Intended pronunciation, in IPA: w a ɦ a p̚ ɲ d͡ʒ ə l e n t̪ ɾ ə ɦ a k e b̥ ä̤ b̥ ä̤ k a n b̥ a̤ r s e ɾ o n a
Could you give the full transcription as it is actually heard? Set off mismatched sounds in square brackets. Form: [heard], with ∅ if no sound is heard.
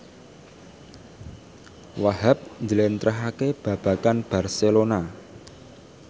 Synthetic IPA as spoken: w a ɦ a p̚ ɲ d͡ʒ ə l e n t̪ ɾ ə ɦ a k e b̥ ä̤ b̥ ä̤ k a n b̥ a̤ r s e [l] o n a